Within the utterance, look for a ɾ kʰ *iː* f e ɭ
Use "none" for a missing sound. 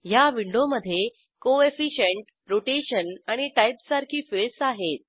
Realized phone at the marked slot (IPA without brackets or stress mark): iː